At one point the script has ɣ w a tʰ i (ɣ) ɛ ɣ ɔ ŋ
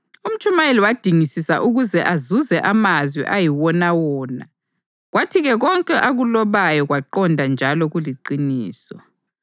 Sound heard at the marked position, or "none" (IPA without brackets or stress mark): ɣ